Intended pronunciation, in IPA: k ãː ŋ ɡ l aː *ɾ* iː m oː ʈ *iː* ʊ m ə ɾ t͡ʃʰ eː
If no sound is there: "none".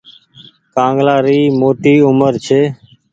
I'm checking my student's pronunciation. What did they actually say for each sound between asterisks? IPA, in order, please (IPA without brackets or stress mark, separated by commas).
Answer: ɾ, iː